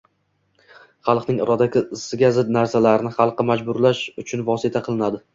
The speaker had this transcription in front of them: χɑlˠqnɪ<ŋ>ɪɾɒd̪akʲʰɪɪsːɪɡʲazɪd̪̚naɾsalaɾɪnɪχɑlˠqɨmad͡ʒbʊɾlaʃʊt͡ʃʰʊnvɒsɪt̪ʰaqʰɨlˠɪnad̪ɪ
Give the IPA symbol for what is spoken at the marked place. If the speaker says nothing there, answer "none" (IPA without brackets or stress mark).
ŋ